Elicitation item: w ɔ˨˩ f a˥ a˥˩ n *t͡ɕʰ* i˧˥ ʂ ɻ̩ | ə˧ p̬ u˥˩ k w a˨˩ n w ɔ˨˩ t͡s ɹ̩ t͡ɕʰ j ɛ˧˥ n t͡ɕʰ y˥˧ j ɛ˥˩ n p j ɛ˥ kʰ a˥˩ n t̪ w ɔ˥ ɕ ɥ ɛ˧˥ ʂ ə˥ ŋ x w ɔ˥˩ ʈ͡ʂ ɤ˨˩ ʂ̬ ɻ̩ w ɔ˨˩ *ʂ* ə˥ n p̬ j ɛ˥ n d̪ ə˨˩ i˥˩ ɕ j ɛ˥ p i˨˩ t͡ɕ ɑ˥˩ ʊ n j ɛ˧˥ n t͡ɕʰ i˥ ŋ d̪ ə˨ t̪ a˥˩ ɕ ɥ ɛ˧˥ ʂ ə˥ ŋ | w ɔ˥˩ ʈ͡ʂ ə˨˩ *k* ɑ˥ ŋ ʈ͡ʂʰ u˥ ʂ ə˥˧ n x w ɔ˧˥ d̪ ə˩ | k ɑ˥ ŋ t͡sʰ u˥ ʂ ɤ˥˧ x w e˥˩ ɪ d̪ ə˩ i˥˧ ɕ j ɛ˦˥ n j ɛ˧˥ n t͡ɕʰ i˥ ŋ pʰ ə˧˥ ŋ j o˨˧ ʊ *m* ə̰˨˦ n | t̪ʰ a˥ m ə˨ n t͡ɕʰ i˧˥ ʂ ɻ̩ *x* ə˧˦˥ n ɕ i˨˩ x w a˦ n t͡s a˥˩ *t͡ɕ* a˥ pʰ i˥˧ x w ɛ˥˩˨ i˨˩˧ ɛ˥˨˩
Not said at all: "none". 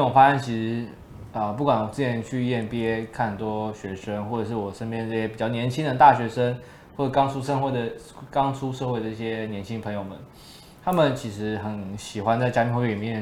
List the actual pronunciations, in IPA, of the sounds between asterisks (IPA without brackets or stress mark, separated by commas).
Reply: t͡ɕʰ, ʂ, k, m, x, t͡ɕ